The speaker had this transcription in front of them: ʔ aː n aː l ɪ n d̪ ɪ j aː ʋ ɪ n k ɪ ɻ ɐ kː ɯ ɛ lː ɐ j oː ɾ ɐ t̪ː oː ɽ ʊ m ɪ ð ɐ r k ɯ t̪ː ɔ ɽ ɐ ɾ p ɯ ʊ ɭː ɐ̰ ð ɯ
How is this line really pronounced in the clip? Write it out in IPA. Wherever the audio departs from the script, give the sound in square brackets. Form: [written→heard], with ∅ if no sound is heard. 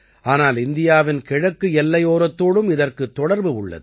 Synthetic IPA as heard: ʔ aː n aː l ɪ n d̪ ɪ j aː ʋ ɪ n k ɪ ɻ ɐ kː ɯ ɛ lː ɐ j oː ɾ ɐ t̪ː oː ɽ [ʊ→ɯ] m ɪ ð ɐ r k ɯ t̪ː ɔ ɽ ɐ ɾ [p→b] ɯ ʊ ɭː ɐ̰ ð ɯ

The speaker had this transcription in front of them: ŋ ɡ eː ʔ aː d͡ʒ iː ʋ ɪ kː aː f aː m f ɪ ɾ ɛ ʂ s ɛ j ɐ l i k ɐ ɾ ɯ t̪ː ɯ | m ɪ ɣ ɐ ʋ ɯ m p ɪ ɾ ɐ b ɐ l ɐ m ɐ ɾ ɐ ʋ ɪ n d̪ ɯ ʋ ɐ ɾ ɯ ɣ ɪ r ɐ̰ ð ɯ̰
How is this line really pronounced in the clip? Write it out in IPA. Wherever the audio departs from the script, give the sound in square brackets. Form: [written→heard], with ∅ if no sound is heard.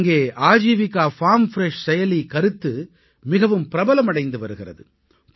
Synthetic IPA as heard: ŋ ɡ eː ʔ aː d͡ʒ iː ʋ ɪ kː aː f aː m f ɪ ɾ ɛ ʂ s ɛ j ɐ l i k ɐ ɾ ɯ t̪ː ɯ | m ɪ ɣ ɐ ʋ ɯ m p ɪ ɾ ɐ b ɐ l ɐ m ɐ [ɾ→ɽ] ɐ [ʋ→∅] ɪ n d̪ ɯ ʋ ɐ ɾ ɯ ɣ ɪ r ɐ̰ ð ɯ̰

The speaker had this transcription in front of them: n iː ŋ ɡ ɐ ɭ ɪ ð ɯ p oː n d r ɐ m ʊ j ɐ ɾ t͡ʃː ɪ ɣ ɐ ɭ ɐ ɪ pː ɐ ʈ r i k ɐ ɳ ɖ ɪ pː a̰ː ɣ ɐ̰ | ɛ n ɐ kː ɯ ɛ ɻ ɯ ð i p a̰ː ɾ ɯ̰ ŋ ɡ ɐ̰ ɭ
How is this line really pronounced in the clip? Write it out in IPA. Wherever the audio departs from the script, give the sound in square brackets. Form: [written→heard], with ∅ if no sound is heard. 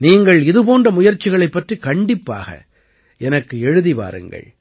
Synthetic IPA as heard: n iː ŋ ɡ ɐ ɭ ɪ ð ɯ p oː n d r ɐ m ʊ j ɐ ɾ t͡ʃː ɪ ɣ ɐ ɭ ɐ ɪ pː ɐ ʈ r i k ɐ ɳ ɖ ɪ pː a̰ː ɣ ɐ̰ | ɛ n ɐ kː ɯ ɛ ɻ ɯ ð i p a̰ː ɾ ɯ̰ ŋ ɡ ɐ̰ ɭ

